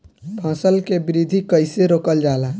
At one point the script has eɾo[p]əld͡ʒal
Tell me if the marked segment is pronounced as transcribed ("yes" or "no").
no